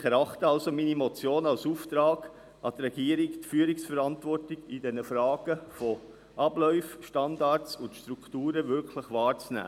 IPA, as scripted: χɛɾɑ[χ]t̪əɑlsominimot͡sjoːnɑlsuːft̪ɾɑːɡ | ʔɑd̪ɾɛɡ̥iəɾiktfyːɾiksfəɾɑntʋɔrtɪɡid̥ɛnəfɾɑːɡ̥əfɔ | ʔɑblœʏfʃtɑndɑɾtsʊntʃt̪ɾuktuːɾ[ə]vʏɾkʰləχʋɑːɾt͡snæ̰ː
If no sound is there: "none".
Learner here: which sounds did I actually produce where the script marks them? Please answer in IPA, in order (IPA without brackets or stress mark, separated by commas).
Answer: χ, ə